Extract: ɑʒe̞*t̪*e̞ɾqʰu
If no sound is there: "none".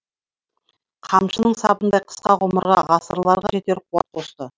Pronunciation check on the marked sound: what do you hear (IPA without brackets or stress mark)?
t̪